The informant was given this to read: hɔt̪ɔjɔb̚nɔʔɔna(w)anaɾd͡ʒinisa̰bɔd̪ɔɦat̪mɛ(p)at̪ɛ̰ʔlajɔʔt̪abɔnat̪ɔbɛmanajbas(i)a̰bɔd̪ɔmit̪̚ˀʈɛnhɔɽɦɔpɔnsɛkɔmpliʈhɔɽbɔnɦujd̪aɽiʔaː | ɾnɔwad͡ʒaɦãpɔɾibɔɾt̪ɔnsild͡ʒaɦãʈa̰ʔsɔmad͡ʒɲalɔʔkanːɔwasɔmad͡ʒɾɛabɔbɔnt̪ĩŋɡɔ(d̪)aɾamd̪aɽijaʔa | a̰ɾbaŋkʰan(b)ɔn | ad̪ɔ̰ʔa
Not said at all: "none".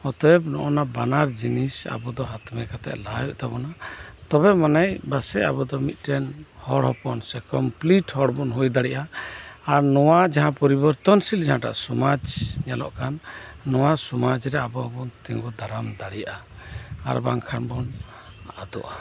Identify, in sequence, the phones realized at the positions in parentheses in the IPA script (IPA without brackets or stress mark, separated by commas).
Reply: b, k, ɛ, d̪, b